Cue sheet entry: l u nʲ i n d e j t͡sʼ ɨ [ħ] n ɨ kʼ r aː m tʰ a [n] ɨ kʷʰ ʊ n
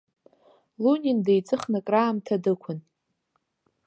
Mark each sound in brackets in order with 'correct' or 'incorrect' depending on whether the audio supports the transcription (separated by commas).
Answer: incorrect, incorrect